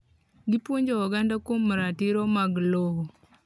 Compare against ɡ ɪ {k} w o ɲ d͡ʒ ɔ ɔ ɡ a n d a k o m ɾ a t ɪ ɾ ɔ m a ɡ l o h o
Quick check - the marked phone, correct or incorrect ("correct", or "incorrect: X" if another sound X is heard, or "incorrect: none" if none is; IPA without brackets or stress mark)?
incorrect: p